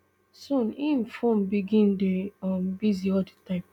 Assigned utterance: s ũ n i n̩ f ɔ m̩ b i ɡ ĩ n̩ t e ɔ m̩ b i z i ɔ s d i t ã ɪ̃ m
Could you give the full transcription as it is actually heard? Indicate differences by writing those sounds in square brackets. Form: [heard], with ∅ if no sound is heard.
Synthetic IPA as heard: s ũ n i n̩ f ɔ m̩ b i ɡ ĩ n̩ [d] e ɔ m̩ b i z i ɔ [∅] d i t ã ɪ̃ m